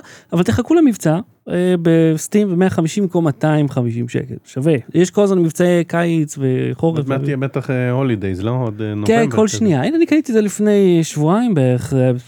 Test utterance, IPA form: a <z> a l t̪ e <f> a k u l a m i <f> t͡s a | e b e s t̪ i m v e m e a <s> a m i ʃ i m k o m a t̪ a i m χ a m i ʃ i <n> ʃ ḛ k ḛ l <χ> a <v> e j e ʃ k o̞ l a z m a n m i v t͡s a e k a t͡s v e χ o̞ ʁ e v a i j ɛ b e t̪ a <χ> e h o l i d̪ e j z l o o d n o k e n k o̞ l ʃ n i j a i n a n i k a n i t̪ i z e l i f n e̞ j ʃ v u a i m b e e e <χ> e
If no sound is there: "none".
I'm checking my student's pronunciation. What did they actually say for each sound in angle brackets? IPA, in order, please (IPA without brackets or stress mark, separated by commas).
v, χ, v, χ, m, ʃ, v, χ, χ